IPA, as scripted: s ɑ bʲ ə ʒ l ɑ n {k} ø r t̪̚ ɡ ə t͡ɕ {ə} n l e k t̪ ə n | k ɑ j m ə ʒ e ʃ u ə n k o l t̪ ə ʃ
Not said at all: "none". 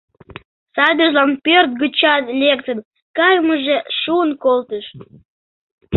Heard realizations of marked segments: p, ɑ

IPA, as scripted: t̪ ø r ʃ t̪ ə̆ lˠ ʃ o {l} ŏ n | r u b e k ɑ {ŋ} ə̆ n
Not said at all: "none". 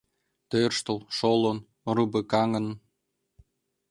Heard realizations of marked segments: l, ŋ

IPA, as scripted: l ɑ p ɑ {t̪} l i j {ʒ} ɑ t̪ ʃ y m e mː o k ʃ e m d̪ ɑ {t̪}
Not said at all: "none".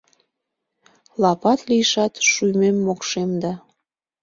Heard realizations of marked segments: t̪, ʃ, none

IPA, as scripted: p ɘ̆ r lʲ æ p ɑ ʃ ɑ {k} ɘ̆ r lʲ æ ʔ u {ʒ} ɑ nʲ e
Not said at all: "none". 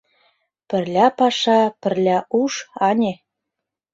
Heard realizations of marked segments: p, ʃ

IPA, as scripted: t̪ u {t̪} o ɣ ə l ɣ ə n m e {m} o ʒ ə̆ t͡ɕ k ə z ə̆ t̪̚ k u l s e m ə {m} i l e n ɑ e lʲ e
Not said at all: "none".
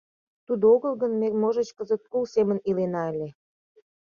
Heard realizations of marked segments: d̪, m, n

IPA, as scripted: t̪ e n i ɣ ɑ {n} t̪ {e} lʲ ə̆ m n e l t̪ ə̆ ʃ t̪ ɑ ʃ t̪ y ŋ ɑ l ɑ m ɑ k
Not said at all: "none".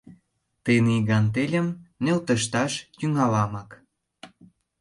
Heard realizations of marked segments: n, e

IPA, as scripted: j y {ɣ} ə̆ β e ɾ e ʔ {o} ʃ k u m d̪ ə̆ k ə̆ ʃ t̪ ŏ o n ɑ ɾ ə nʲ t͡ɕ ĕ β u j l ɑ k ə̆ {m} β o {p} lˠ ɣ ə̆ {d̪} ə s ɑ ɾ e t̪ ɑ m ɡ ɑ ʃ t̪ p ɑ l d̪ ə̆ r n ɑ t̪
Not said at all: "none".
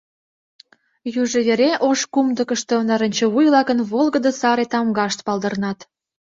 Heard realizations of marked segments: ʒ, o, n, none, d̪

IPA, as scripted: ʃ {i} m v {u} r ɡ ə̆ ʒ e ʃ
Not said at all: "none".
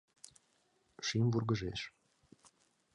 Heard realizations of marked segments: i, u

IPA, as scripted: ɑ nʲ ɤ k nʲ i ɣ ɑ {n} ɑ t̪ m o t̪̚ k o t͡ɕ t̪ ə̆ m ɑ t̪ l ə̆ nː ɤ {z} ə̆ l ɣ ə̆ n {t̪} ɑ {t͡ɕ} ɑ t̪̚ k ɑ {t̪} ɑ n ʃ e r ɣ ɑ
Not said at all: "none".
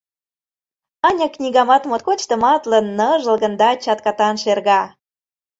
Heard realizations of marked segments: m, ʒ, d̪, t͡ɕ, t̪

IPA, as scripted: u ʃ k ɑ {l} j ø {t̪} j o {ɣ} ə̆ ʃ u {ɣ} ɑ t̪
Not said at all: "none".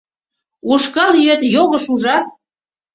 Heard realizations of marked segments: l, t̪, ɣ, ʒ

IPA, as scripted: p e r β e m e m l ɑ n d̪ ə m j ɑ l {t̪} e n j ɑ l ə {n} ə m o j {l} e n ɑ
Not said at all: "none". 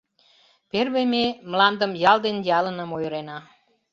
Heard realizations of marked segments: d̪, n, ɾ

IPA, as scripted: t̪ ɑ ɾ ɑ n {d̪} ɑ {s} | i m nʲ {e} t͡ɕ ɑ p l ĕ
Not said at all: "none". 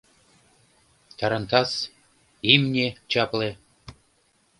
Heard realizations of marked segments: t̪, s, e

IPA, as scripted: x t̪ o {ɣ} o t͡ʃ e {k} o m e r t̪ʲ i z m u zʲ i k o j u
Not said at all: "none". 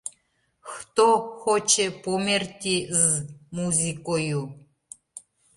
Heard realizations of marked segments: x, p

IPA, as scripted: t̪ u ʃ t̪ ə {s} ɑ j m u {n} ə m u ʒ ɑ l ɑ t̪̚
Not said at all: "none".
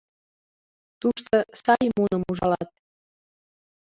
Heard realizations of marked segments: s, n

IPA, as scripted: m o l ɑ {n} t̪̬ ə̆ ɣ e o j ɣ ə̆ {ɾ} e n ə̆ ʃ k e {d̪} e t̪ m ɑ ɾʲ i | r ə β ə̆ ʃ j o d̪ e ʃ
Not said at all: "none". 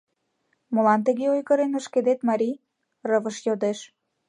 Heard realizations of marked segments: n, ɾ, d̪

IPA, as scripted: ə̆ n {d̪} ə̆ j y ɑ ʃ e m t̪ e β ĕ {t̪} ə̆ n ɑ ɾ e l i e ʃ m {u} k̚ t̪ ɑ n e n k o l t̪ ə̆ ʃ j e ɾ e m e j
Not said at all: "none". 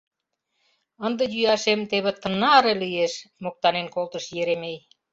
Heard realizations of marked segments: d̪, t̪, o

